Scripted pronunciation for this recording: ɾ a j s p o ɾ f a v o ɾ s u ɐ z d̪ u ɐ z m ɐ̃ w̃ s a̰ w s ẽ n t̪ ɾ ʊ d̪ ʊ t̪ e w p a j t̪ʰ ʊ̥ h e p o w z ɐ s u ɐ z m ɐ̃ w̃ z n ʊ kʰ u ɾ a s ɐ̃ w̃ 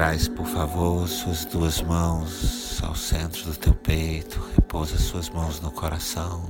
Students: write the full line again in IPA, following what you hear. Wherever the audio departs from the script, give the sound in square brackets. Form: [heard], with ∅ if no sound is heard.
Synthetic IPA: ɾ a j s p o ɾ f a v o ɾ s u ɐ z d̪ u ɐ z m ɐ̃ w̃ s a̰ w s ẽ n t̪ ɾ ʊ d̪ ʊ t̪ e w p [e] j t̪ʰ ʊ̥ h e p o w z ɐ s u ɐ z m ɐ̃ w̃ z n ʊ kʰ [o] ɾ a s ɐ̃ w̃